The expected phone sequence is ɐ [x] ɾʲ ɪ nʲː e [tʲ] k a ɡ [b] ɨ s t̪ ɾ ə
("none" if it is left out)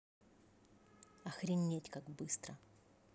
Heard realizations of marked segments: x, tʲ, b

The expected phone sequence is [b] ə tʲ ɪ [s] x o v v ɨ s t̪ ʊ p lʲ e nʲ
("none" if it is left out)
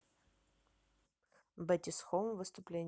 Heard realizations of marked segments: b, s

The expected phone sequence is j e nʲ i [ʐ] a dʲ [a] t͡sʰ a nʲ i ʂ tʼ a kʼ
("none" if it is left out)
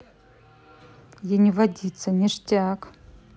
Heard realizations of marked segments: v, i

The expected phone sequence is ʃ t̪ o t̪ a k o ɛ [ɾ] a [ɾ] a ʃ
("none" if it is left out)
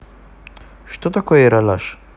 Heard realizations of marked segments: ɾ, l

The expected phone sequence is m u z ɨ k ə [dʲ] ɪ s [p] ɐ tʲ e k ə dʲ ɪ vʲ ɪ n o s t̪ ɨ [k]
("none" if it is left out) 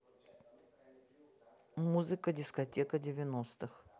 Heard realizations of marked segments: dʲ, k, x

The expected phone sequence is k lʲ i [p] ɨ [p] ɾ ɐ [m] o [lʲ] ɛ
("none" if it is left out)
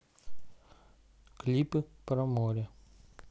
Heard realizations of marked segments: p, p, m, ɾʲ

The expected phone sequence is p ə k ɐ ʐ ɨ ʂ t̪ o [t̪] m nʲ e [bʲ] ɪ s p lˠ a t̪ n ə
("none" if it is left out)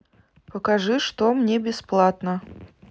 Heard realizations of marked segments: none, bʲ

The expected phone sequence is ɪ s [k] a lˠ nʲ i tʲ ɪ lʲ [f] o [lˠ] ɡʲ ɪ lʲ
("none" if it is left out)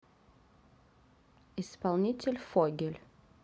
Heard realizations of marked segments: p, f, none

